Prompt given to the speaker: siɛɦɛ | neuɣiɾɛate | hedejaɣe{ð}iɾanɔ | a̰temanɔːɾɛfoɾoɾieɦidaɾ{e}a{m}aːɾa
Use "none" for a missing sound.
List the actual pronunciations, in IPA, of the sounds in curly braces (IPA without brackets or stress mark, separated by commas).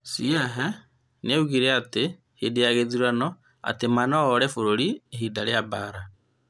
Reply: ð, e, b